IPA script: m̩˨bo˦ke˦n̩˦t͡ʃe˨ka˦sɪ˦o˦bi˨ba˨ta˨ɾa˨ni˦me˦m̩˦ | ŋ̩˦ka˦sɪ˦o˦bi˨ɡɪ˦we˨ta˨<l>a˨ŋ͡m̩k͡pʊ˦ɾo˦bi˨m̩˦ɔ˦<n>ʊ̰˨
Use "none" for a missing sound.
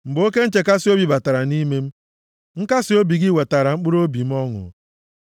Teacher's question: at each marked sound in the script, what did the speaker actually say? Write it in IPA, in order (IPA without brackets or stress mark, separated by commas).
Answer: ɾ, ŋ